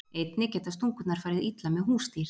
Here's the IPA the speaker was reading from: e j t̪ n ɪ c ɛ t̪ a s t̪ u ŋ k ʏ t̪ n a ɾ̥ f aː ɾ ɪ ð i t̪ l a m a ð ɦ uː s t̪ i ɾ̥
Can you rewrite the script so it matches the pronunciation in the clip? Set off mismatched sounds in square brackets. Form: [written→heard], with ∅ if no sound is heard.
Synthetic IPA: e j t̪ n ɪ c ɛ t̪ a s t̪ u ŋ k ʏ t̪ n a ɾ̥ f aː ɾ ɪ ð i t̪ l a m [a→ɛ] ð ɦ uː s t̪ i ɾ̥